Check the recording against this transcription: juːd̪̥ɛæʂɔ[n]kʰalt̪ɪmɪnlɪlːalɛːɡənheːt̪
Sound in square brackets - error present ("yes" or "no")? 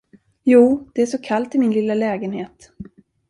yes